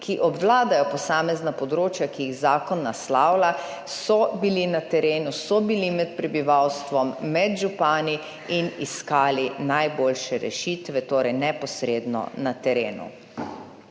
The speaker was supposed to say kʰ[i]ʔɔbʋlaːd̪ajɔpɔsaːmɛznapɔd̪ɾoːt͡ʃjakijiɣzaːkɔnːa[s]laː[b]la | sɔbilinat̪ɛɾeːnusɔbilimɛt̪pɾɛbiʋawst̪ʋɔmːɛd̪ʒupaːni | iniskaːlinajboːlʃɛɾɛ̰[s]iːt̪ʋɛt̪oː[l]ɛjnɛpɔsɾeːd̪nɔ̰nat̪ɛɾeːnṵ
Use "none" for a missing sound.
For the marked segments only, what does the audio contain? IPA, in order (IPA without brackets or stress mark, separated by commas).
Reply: i, s, w, ʃ, ɾ